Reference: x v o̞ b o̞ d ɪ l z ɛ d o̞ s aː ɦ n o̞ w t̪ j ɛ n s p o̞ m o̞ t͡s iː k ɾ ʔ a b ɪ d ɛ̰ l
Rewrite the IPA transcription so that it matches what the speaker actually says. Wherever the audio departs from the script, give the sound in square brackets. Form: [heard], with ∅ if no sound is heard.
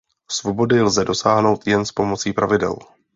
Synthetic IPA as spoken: [s] v o̞ b o̞ d ɪ l z ɛ d o̞ s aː ɦ n o̞ w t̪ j ɛ n s p o̞ m o̞ t͡s iː [p] ɾ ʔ a [v] ɪ d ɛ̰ l